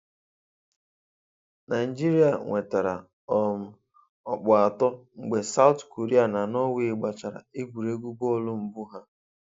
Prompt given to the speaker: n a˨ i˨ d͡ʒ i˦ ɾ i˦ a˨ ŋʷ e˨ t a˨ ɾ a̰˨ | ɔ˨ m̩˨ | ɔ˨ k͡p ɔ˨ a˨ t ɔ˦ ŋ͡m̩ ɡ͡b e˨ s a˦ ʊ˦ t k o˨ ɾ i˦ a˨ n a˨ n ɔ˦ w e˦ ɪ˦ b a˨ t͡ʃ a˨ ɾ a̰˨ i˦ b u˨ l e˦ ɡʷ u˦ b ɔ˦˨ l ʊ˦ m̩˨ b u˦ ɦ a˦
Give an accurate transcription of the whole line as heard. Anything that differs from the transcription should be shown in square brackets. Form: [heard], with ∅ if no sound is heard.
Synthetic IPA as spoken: n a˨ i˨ d͡ʒ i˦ ɾ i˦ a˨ ŋʷ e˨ t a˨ ɾ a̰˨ | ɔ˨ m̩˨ | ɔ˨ k͡p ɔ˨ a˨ t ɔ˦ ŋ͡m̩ ɡ͡b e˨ s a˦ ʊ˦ t k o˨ ɾ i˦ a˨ n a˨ n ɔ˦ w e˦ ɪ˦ [ɡ͡b] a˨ t͡ʃ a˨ ɾ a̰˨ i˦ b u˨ [ɾ] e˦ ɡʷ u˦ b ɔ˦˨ l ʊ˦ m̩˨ b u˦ ɦ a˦